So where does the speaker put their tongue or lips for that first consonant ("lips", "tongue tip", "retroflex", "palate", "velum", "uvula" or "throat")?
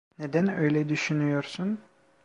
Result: tongue tip